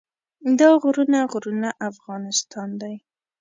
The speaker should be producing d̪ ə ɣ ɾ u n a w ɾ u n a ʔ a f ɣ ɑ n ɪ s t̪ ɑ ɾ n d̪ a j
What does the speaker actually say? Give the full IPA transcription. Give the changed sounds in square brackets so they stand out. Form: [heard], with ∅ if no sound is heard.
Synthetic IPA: d̪ [ɑ] ɣ ɾ u n a [ɣ] ɾ u n a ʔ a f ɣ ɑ n ɪ s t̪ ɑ [∅] n d̪ a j